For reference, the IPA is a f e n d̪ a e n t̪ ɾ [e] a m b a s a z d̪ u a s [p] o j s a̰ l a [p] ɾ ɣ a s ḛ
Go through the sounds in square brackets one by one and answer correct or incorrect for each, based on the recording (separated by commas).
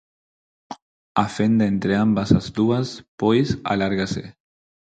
correct, correct, incorrect